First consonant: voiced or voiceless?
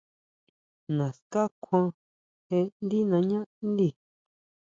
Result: voiced